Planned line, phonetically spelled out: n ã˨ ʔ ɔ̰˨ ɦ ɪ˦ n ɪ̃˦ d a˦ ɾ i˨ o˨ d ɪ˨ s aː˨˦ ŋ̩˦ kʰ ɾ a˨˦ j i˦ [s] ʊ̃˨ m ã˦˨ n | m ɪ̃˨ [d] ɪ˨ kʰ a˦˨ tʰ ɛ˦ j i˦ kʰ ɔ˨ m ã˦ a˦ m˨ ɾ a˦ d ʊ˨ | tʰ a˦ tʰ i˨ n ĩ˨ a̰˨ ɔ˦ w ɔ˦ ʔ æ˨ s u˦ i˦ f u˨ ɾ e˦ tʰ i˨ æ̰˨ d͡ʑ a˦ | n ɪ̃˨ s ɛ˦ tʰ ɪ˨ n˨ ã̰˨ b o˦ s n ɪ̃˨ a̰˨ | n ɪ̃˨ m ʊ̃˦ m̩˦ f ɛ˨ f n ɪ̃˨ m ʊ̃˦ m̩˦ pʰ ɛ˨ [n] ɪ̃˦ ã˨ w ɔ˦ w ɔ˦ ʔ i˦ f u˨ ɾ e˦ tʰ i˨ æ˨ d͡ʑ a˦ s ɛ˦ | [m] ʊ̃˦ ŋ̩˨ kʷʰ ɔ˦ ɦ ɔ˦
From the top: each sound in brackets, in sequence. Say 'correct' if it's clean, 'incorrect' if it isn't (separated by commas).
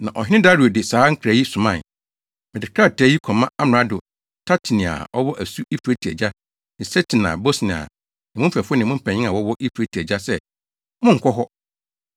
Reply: correct, correct, incorrect, correct